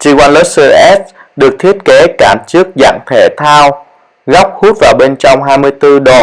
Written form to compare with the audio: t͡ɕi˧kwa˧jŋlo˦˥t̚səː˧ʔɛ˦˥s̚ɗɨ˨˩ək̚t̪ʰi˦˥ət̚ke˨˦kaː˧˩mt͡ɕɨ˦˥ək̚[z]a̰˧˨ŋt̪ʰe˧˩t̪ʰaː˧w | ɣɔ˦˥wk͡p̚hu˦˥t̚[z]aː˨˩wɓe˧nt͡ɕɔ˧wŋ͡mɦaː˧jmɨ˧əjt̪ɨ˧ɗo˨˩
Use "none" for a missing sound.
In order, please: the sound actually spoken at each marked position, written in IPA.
z, v

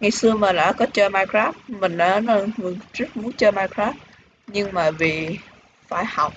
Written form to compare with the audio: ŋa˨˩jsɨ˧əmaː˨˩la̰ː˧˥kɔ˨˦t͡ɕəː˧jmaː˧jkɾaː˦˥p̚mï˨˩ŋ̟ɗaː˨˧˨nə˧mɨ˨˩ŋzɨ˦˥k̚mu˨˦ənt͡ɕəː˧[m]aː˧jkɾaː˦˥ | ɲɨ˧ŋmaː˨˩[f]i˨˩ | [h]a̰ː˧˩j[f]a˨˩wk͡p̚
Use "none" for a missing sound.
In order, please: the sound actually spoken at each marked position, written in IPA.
m, v, f, h

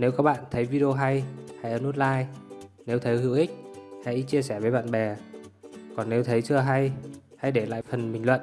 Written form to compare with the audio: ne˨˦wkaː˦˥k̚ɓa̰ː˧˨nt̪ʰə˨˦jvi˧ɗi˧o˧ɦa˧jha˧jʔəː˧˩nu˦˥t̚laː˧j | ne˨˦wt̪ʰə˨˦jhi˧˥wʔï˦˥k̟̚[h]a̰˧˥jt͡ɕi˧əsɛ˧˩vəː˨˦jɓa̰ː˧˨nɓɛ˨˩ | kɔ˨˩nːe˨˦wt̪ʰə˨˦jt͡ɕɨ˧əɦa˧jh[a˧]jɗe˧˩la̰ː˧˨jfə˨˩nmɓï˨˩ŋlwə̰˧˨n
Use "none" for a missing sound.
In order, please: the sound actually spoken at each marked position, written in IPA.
h, a˧

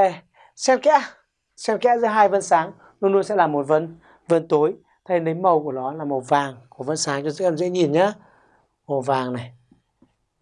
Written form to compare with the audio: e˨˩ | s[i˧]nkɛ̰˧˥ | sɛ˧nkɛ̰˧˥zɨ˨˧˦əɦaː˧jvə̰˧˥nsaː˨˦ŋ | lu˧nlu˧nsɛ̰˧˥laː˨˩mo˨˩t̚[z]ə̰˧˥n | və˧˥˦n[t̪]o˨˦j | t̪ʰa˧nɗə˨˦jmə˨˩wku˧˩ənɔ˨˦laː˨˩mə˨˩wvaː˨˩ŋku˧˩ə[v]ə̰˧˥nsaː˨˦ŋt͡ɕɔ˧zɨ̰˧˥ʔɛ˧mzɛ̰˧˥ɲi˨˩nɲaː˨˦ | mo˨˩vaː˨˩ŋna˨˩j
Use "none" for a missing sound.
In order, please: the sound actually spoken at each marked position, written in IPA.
ɛ˧, v, t̪, v

